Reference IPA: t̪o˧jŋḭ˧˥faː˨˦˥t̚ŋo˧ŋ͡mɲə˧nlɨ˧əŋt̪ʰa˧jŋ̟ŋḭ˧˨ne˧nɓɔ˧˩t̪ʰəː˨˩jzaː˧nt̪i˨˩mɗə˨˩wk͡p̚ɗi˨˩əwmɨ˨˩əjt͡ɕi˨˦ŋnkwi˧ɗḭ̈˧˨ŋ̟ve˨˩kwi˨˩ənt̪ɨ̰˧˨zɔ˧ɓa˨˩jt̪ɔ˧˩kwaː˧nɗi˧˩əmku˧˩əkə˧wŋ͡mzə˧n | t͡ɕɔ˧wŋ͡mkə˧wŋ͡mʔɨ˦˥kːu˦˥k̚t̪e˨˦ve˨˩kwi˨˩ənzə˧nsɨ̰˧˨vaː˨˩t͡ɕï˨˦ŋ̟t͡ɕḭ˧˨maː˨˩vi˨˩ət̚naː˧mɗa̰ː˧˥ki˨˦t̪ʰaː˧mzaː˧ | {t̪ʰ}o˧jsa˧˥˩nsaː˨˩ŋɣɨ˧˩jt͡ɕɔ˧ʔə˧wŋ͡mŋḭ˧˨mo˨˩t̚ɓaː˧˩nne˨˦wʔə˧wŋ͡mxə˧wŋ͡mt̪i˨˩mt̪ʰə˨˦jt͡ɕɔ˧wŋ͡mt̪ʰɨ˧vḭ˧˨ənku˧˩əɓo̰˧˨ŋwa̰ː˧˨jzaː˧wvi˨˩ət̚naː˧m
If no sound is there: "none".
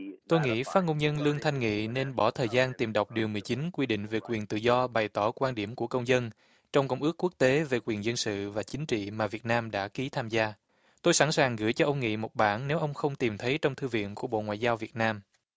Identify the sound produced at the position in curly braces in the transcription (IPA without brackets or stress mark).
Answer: t̪